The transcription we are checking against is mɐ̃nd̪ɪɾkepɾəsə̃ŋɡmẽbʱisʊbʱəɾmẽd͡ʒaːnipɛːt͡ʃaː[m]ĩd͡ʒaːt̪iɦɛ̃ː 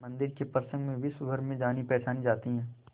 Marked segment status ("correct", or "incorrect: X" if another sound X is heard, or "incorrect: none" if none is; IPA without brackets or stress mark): incorrect: n